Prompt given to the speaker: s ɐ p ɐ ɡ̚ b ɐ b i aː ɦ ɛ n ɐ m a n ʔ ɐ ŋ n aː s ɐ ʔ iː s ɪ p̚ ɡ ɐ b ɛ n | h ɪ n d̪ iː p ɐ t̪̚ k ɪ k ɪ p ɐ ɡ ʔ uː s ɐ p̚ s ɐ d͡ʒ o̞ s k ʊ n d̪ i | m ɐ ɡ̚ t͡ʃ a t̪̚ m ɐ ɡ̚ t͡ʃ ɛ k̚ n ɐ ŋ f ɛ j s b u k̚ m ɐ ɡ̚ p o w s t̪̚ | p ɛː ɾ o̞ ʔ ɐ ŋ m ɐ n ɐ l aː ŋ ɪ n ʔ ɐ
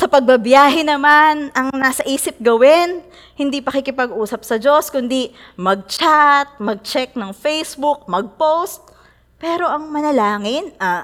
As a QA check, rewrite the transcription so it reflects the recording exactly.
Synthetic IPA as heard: s ɐ p ɐ ɡ̚ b ɐ b j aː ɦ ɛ n ɐ m a n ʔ ɐ ŋ n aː s ɐ ʔ iː s ɪ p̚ ɡ ɐ w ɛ n | h ɪ n d̪ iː p ɐ k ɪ k ɪ p ɐ ɡ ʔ uː s ɐ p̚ s ɐ d͡ʒ o̞ s k ʊ n d̪ i | m ɐ ɡ̚ t͡ʃ a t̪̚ m ɐ ɡ̚ t͡ʃ ɛ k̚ n ɐ ŋ f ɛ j s b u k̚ m ɐ ɡ̚ p o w s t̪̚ | p ɛː ɾ o̞ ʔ ɐ ŋ m ɐ n ɐ l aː ŋ ɪ n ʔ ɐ